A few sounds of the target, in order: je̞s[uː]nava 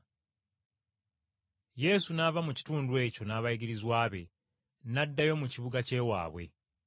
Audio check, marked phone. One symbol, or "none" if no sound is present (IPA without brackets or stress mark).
u